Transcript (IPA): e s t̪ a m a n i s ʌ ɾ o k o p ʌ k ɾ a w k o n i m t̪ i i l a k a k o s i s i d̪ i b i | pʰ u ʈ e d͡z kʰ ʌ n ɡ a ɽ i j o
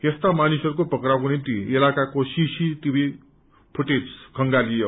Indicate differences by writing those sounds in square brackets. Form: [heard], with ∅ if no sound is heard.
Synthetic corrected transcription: e s t̪ a m a n i s ʌ ɾ [u] k o p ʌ k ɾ a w k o n i m t̪ i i l a k a k o s i s i [t̪] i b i | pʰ u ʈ e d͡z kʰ ʌ [ŋ] ɡ a [l] i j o